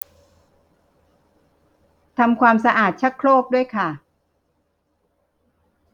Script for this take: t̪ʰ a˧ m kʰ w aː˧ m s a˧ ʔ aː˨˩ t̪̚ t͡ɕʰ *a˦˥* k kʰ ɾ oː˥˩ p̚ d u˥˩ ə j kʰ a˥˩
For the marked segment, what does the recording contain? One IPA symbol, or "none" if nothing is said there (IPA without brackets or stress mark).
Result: a˦˥